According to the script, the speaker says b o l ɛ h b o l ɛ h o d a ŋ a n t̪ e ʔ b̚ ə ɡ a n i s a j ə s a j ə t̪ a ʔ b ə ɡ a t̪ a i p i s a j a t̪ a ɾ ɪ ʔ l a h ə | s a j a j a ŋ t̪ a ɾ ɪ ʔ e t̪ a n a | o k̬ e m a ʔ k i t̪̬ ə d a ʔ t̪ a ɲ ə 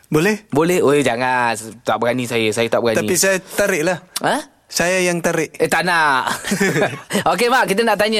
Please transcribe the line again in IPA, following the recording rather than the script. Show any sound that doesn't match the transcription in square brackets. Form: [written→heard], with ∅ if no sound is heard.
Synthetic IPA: b o l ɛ h b o l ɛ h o [d→d͡ʒ] a ŋ a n t̪ [e→a] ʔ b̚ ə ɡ a n i s a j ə s a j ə t̪ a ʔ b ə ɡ a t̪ a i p i s a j a t̪ a ɾ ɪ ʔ l a h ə | s a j a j a ŋ t̪ a ɾ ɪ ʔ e t̪ a n a | o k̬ e m a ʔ k i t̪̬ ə [d→n] a ʔ t̪ a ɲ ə